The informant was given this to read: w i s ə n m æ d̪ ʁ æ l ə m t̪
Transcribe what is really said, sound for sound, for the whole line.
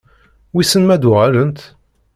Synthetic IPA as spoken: w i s ə n m æ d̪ ʁ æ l ə n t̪